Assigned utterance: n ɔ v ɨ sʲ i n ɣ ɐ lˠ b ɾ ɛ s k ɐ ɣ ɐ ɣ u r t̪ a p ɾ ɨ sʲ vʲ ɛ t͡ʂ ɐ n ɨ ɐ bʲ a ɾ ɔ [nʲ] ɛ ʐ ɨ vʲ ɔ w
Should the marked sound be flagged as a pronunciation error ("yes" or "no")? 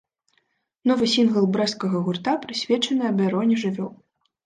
no